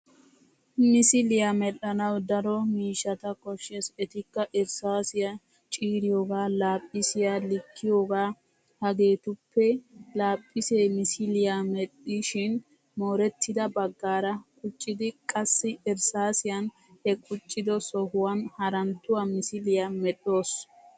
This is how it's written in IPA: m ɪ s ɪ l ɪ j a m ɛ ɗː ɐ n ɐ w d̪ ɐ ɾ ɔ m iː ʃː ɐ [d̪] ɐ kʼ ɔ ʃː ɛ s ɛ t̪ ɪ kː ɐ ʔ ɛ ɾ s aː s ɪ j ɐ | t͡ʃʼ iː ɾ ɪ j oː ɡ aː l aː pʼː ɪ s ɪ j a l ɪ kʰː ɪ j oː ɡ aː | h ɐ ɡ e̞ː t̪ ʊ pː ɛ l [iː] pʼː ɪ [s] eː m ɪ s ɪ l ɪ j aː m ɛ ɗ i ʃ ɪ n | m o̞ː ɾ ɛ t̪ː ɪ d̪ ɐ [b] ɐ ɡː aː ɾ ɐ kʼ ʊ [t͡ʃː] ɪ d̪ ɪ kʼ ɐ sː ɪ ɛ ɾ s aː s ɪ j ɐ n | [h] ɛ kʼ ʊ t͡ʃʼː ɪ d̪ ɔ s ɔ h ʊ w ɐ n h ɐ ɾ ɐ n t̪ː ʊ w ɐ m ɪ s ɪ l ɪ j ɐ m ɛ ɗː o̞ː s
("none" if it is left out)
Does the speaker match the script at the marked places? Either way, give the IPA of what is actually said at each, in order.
t̪, aː, s, b, t͡ʃʼː, h

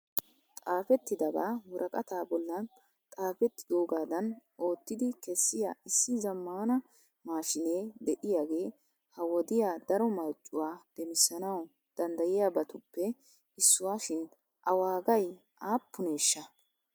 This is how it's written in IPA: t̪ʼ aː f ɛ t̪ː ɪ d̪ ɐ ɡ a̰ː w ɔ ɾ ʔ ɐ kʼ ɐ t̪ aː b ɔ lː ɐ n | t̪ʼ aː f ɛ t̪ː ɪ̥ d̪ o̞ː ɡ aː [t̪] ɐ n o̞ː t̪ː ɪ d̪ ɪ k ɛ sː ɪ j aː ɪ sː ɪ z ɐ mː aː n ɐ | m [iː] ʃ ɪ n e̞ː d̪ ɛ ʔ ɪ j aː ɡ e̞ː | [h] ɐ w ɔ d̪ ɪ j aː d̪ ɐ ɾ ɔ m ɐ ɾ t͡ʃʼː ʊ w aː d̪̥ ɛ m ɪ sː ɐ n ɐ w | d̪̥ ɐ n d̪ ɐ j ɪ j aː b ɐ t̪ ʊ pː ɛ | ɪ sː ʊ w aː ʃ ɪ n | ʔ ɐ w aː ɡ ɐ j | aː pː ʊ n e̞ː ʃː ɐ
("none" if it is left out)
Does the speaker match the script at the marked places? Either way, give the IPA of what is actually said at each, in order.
d̪, aː, h

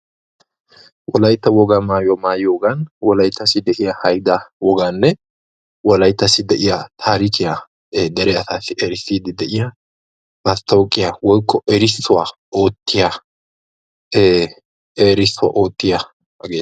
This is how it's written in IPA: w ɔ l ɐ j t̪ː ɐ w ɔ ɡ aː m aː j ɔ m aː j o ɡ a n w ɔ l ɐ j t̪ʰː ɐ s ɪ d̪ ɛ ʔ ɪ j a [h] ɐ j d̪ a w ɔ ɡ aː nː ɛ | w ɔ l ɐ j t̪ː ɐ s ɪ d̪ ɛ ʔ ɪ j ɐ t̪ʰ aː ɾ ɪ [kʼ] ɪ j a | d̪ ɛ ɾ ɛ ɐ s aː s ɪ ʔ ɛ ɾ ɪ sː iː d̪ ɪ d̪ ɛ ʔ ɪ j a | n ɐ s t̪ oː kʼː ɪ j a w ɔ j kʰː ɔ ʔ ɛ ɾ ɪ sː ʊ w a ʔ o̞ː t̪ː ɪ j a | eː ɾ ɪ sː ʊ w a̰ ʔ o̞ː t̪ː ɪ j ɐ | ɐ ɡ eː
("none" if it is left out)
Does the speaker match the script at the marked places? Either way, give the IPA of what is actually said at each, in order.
h, k

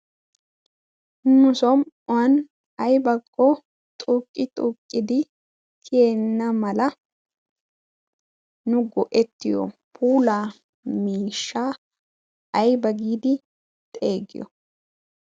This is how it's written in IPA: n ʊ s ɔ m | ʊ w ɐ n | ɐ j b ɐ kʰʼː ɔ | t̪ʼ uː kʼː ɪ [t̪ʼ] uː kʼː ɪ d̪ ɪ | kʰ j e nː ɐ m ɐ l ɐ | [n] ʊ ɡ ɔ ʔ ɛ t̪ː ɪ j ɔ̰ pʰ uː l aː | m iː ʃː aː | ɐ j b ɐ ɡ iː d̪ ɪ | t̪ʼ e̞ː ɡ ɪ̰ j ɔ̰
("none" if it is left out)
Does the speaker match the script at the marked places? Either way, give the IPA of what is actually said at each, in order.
t̪ʼ, n

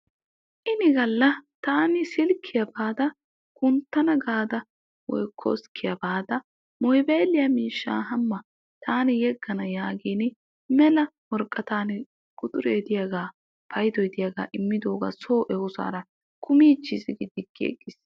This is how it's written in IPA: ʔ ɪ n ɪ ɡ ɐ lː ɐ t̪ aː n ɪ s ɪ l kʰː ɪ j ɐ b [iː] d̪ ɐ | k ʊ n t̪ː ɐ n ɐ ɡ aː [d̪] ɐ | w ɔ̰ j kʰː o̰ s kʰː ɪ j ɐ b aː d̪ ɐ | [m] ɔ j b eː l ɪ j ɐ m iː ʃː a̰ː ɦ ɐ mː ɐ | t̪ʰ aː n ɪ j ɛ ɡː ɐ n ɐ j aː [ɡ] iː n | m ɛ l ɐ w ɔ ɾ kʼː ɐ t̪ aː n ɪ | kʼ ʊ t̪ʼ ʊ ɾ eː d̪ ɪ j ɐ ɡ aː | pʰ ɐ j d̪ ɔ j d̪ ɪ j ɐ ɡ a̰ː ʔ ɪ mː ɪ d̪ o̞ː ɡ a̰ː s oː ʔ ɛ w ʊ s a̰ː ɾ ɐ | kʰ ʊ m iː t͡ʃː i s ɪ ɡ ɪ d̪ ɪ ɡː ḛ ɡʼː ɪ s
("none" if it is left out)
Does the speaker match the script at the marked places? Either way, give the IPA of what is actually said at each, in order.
aː, d̪, m, ɡ

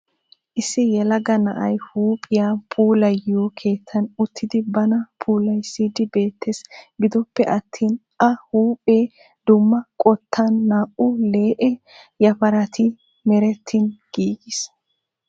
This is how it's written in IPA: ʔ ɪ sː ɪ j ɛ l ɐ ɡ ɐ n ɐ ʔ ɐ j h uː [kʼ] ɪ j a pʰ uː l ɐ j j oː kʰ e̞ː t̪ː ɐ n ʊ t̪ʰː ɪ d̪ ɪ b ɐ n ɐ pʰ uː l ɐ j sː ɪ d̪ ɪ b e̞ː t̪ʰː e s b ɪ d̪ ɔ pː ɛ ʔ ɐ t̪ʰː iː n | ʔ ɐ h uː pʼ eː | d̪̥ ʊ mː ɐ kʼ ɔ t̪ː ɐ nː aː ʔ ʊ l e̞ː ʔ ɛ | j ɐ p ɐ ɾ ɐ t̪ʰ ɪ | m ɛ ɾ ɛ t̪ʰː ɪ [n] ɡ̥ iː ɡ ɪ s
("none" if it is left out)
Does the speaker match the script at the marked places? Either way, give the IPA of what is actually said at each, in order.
pʼ, n

